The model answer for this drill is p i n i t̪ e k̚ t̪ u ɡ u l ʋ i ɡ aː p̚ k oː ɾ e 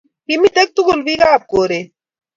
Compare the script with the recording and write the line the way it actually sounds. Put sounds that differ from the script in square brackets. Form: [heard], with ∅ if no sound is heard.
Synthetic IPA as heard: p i [m] i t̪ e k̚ t̪ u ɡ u l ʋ i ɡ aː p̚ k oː ɾ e

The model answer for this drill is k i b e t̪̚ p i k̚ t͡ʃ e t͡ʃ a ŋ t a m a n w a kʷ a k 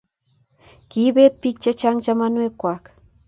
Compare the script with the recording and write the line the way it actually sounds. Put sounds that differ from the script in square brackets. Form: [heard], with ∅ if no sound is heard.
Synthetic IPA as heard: k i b e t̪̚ p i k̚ t͡ʃ [a] t͡ʃ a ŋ [t͡ʃ] a m a n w [e] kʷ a k

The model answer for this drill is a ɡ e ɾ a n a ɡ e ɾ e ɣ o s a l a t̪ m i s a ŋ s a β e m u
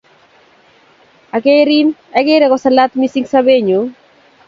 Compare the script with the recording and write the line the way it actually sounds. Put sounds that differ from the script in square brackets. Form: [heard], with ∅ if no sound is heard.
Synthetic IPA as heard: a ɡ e ɾ [i] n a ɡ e ɾ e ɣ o s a l a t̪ m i s [i] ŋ s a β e [ɲ] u

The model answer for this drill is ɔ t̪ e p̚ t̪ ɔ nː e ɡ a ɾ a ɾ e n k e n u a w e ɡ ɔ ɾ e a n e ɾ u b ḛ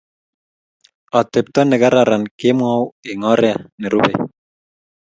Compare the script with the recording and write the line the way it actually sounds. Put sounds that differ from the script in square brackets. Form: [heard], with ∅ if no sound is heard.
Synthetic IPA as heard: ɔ t̪ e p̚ t̪ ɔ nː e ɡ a ɾ a ɾ [a] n k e [m] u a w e [ŋ] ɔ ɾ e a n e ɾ u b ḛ

